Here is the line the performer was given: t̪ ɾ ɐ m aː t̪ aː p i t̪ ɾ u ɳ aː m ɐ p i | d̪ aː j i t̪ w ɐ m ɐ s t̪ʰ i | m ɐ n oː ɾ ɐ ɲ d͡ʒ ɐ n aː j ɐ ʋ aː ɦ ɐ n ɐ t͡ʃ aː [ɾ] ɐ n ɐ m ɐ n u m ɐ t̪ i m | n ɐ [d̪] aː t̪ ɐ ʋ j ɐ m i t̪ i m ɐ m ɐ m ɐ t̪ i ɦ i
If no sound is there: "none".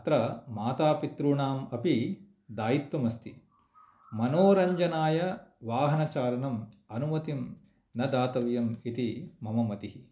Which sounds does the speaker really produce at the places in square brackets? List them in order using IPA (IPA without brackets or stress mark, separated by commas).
l, d̪